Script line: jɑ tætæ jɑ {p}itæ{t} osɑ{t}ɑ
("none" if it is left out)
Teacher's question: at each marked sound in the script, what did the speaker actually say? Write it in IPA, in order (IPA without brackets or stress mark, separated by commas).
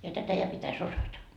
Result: p, s, t